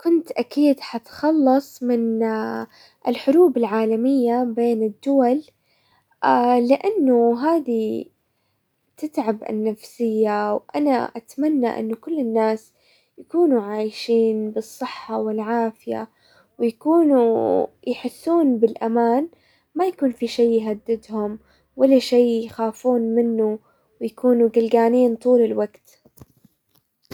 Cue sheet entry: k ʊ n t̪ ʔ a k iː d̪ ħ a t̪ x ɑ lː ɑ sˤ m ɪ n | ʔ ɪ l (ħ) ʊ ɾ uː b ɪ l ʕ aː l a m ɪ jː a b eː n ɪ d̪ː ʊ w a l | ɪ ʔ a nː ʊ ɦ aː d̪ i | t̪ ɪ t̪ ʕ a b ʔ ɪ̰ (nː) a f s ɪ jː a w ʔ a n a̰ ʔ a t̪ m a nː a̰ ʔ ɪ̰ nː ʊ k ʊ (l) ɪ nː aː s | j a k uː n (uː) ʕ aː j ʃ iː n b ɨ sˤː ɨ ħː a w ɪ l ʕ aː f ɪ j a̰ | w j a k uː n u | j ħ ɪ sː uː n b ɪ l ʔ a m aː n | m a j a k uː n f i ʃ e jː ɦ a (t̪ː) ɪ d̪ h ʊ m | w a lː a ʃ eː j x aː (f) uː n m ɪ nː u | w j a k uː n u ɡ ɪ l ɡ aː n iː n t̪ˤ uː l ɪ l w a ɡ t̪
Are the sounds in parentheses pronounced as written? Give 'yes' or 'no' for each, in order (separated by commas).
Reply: yes, yes, no, no, no, yes